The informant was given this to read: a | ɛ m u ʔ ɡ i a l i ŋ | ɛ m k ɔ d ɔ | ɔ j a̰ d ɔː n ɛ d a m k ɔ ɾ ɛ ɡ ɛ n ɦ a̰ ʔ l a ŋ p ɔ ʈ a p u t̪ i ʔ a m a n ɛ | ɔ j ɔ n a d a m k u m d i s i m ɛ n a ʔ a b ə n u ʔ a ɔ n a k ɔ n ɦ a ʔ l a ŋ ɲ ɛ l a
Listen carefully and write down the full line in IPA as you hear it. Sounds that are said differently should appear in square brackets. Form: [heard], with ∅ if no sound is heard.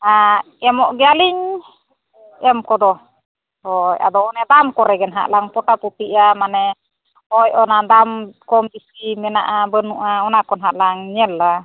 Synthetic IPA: a | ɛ m [ɔ] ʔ ɡ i a l i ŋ | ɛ m k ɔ d ɔ | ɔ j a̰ d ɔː n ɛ d a m k ɔ ɾ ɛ ɡ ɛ n ɦ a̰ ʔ l a ŋ p ɔ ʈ a p u t̪ i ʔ a m a n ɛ | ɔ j ɔ n a d a m k [ɔ] m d i s i m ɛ n a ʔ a b ə n u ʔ a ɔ n a k ɔ n ɦ a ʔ l a ŋ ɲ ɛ l a